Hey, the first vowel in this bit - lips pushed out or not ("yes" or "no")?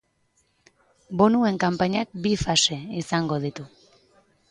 yes